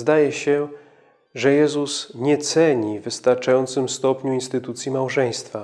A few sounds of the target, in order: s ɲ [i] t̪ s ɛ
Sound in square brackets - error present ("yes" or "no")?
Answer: yes